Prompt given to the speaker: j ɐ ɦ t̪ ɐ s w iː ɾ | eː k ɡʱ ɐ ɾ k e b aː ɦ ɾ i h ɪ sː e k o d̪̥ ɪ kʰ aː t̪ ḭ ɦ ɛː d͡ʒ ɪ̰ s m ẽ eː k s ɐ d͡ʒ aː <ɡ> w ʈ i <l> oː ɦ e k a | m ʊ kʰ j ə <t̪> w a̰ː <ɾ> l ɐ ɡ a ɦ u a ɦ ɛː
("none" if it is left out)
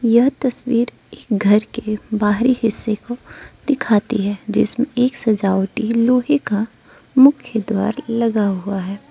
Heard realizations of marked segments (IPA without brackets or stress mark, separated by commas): none, l, d̪, ɾ